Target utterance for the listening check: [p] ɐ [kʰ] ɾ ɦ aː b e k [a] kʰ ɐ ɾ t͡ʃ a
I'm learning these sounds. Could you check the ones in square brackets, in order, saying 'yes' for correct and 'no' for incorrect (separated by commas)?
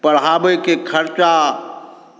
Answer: yes, no, no